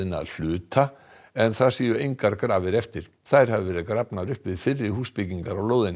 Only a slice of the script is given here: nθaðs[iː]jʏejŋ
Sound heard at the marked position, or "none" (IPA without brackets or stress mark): iː